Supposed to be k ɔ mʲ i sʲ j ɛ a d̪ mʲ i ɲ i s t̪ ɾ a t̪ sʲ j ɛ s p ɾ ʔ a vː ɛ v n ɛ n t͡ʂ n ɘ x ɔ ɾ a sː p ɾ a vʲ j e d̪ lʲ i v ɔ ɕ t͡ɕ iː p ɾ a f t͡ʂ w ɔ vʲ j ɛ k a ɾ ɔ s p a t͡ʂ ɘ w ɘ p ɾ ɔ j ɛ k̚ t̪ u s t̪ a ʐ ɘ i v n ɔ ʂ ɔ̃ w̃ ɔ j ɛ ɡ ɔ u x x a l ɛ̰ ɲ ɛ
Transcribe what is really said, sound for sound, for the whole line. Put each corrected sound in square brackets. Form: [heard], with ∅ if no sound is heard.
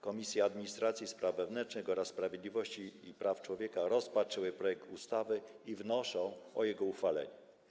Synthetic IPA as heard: k ɔ mʲ i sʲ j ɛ a d̪ mʲ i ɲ i s t̪ ɾ a t̪ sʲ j [i] s p ɾ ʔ a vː ɛ v n ɛ n t͡ʂ n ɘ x ɔ ɾ a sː p ɾ a vʲ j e d̪ lʲ i v ɔ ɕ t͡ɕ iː p ɾ a f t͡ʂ w ɔ vʲ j ɛ k a ɾ ɔ s p a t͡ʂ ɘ w ɘ p ɾ ɔ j ɛ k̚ t̪ u s t̪ a [v] ɘ i v n ɔ ʂ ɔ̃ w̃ ɔ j ɛ ɡ ɔ u x [f] a l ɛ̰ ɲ ɛ